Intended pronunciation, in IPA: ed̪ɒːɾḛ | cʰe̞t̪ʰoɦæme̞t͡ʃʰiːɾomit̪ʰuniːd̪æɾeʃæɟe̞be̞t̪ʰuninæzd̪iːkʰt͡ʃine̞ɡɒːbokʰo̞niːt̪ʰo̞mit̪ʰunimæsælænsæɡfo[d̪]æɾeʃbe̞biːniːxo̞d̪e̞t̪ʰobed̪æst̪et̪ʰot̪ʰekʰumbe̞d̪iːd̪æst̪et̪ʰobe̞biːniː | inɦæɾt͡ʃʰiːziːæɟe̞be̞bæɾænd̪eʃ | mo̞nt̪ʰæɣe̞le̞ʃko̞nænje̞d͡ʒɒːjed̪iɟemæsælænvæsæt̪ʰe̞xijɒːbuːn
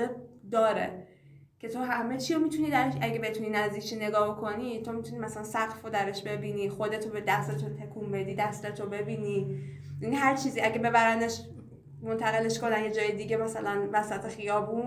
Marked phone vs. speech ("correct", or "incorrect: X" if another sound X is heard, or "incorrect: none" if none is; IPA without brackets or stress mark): correct